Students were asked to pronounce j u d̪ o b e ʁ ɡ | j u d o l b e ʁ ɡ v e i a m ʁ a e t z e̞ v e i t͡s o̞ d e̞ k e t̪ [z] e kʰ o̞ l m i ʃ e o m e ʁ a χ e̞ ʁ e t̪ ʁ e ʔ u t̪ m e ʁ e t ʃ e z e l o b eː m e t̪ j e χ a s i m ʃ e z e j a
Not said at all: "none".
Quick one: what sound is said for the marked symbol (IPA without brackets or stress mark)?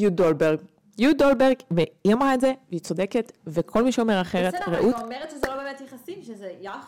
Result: v